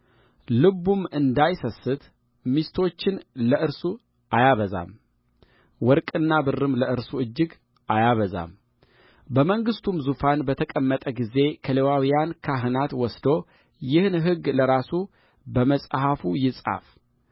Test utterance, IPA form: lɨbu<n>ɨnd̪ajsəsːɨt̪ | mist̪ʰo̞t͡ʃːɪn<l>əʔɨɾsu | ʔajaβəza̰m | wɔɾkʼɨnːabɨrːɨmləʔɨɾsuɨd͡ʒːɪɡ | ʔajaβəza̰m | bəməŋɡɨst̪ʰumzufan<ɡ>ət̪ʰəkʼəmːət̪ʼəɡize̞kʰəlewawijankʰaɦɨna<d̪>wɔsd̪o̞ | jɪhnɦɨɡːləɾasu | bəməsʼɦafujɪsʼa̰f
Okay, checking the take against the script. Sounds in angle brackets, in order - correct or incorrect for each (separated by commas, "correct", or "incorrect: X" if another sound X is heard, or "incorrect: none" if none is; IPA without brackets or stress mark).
incorrect: m, correct, incorrect: b, incorrect: t̪